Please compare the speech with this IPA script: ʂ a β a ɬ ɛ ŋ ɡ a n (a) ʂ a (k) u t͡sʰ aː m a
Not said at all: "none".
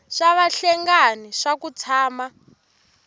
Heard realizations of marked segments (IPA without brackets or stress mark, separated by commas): i, k